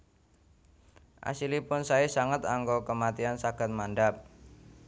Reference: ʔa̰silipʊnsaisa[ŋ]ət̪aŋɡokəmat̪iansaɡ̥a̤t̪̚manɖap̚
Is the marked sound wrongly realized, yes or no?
no